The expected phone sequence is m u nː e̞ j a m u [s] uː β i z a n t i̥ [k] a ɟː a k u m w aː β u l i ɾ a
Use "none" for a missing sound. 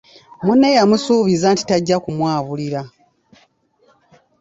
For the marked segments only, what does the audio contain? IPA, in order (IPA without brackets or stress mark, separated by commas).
s, t